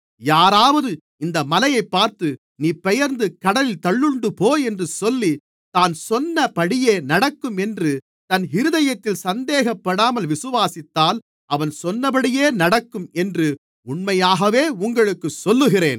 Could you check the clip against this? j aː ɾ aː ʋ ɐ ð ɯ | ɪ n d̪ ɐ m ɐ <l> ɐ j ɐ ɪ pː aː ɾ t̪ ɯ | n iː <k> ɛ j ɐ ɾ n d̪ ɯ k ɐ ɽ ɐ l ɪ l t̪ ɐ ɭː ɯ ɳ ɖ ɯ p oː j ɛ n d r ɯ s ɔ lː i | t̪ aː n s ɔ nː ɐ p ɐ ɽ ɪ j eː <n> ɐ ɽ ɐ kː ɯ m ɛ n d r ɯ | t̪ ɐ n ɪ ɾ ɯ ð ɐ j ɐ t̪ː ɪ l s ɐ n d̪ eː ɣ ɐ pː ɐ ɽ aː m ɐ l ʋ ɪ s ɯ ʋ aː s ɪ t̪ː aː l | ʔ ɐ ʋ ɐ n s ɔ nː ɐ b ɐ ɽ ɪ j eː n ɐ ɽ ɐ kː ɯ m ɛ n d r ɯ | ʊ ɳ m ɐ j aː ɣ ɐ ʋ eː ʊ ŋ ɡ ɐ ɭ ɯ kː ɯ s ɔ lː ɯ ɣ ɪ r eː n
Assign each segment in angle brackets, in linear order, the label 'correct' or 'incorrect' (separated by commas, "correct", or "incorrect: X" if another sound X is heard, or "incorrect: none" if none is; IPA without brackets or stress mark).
correct, incorrect: p, correct